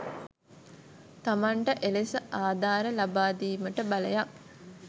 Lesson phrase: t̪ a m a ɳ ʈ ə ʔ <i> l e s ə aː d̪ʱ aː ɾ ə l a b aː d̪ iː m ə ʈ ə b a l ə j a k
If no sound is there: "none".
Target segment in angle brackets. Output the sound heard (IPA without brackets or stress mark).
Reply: e